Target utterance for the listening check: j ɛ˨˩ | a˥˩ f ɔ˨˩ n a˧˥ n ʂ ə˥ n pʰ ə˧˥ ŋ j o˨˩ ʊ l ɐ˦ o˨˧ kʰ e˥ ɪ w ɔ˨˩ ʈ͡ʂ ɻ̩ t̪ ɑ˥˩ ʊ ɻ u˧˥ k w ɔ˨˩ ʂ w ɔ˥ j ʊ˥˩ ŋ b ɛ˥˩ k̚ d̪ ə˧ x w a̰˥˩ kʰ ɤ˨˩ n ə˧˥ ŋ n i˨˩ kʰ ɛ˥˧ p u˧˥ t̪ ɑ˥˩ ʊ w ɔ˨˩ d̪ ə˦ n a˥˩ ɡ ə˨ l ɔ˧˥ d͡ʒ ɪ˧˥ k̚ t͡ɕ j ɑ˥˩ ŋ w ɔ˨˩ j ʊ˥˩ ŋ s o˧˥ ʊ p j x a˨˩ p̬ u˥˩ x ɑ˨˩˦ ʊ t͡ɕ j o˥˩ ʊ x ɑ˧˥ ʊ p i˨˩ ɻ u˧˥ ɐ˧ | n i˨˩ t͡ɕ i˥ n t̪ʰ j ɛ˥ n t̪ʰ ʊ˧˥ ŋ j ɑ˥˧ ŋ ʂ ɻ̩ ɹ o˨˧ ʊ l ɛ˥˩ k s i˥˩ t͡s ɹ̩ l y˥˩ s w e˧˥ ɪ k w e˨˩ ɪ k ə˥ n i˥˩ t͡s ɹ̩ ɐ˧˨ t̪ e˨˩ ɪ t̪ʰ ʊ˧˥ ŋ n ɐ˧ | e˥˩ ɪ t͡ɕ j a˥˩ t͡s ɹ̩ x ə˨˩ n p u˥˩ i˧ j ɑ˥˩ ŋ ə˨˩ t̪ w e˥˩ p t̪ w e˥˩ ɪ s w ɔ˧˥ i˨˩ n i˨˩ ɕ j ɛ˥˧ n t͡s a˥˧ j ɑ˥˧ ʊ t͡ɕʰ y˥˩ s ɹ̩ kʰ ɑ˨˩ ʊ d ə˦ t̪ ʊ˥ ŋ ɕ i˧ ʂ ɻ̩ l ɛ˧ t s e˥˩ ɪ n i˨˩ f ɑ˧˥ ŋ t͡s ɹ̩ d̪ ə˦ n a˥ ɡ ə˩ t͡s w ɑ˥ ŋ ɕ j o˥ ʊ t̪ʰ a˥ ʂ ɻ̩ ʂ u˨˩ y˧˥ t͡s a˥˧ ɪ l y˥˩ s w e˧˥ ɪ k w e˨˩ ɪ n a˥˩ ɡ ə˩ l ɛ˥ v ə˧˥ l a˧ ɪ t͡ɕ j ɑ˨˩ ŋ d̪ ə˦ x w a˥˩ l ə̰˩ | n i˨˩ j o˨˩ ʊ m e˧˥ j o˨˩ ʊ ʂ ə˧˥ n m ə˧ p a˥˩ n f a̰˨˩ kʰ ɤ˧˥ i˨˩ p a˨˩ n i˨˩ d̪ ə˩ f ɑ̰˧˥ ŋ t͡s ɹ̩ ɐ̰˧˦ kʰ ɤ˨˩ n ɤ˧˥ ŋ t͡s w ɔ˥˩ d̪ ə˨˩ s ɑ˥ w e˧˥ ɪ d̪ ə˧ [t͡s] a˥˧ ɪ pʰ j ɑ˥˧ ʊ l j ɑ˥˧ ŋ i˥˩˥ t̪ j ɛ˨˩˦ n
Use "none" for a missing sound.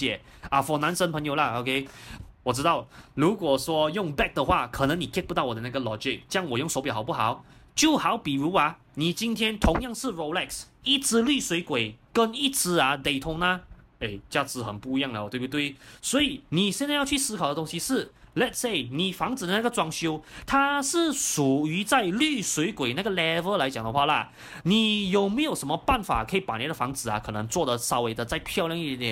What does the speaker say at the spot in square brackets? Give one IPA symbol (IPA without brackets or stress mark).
t͡s